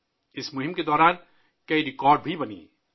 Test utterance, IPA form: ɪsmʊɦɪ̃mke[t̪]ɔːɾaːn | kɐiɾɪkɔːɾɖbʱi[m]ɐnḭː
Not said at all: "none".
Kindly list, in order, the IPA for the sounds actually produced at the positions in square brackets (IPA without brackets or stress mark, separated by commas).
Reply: d̪, b